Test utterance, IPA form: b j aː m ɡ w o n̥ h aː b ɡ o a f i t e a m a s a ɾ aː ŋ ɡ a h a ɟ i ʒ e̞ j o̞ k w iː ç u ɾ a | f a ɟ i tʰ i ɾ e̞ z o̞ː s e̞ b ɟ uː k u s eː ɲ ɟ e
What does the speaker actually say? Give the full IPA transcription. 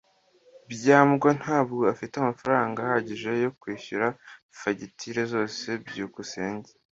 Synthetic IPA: b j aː m ɡ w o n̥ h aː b ɡ o a f i t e a m a f a ɾ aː ŋ ɡ a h a ɟ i ʒ e̞ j o̞ k w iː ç u ɾ a | f a ɟ i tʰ i ɾ e̞ z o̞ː s e̞ b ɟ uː k u s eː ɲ ɟ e